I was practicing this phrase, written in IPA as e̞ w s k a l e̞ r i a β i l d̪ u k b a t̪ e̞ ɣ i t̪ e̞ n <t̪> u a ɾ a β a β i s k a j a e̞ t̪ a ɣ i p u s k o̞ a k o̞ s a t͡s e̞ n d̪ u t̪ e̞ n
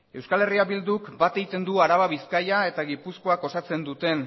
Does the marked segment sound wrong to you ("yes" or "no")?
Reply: yes